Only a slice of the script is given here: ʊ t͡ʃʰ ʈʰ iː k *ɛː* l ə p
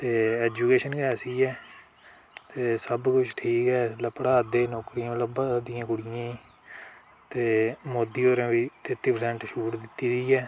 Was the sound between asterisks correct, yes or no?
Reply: yes